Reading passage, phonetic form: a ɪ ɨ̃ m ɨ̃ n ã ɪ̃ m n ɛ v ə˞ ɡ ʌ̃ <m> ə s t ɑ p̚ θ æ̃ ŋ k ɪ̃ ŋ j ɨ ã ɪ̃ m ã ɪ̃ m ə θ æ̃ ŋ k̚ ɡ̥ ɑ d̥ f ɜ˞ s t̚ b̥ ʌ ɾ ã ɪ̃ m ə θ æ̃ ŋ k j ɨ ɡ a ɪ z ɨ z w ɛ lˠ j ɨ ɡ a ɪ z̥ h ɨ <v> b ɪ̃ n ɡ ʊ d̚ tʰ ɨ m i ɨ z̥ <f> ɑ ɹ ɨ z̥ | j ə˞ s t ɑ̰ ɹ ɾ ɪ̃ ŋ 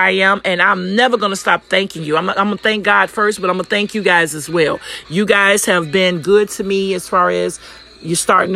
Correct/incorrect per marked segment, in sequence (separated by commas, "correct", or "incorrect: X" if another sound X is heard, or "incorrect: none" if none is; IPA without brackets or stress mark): incorrect: n, correct, correct